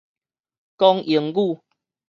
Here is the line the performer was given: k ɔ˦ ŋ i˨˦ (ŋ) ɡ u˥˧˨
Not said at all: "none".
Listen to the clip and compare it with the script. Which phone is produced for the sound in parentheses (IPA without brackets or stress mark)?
ŋ